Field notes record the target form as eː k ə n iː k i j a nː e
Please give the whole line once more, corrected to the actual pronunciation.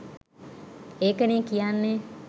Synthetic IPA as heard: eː k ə n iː k i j a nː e